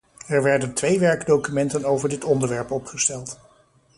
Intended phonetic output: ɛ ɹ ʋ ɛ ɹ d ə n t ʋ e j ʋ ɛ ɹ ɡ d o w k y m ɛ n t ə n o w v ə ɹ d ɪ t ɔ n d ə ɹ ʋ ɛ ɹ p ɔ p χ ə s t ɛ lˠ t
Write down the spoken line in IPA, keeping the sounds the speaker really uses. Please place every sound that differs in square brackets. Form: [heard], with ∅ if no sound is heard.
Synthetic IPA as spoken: ɛ ɹ ʋ ɛ ɹ d ə n t ʋ e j ʋ ɛ ɹ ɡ d o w k y m ɛ n t ə n o w v ə ɹ d ɪ t ɔ n d ə ɹ ʋ ɛ ɹ p ɔ p χ ə s t ɛ lˠ t